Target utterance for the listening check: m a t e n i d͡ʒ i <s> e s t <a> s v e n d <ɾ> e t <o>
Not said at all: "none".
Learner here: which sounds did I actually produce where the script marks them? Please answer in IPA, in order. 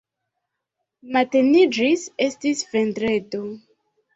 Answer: s, i, ɾ, o

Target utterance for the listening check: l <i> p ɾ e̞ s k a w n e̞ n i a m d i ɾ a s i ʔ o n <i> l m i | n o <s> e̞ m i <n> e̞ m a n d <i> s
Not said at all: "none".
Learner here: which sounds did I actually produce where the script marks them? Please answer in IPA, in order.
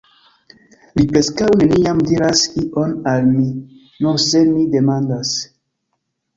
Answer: i, a, s, d, a

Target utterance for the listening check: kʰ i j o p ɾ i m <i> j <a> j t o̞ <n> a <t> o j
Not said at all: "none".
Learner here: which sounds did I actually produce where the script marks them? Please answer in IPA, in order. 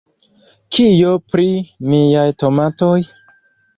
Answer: i, a, m, t

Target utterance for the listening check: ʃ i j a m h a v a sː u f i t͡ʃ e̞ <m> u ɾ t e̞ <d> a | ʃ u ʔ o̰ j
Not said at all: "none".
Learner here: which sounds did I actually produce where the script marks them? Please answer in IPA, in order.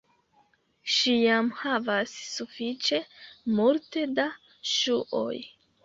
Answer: m, d

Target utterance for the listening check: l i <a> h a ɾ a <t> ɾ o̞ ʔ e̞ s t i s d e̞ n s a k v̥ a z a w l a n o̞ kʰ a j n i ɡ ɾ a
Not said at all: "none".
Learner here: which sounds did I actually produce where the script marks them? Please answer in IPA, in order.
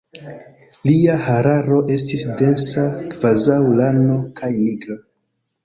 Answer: a, none

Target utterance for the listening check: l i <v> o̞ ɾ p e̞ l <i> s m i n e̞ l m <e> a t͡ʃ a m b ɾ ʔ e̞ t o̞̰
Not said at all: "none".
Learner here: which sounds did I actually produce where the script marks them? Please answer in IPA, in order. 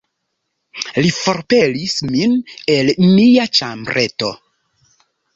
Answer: f, i, i

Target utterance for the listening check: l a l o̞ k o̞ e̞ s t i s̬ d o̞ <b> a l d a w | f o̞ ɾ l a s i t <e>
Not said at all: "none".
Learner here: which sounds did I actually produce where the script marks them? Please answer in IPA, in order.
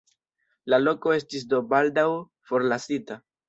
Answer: b, a

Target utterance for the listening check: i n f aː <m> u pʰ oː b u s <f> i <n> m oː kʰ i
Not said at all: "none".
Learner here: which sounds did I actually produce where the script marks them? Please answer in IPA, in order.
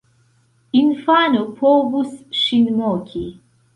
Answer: n, ʃ, n

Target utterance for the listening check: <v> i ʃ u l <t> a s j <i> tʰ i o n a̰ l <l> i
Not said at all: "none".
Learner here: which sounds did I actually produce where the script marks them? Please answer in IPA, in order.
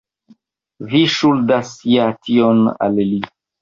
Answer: v, d, a, l

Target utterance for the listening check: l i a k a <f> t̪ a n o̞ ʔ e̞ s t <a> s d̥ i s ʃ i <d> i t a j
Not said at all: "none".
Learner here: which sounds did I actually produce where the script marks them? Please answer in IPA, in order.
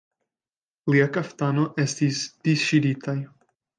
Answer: f, i, d

